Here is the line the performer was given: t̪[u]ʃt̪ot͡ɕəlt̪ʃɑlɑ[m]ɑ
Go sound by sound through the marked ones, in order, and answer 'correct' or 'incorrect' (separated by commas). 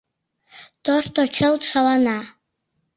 incorrect, incorrect